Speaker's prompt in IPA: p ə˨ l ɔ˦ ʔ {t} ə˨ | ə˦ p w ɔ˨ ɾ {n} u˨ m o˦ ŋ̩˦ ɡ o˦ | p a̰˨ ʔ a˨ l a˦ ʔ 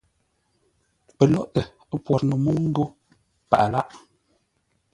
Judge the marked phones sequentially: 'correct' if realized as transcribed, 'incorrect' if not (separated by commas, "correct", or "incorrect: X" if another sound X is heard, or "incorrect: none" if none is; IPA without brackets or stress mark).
correct, correct